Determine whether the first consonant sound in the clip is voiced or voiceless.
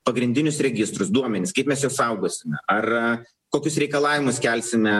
voiceless